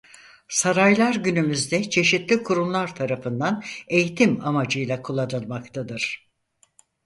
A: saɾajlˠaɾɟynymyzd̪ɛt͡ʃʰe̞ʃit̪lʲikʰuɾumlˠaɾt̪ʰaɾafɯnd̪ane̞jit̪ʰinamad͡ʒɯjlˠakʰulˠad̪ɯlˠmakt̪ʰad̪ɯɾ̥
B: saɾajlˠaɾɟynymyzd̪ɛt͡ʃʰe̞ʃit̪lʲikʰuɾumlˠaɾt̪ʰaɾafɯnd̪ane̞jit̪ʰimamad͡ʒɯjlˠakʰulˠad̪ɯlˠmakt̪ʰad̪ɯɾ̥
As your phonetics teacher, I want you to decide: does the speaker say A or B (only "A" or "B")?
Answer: B